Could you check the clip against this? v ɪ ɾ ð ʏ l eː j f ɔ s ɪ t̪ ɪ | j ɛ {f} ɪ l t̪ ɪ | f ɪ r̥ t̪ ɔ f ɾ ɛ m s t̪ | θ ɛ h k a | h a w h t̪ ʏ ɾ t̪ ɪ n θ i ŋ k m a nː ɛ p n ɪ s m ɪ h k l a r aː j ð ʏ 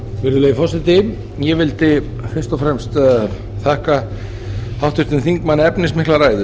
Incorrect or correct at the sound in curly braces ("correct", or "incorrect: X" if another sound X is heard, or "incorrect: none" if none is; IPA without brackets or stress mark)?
incorrect: v